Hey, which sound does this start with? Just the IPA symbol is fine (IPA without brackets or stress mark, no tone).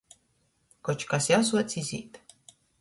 k